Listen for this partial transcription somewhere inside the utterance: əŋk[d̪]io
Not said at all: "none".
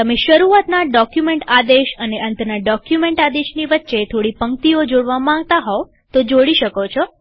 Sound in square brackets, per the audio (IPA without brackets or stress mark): t̪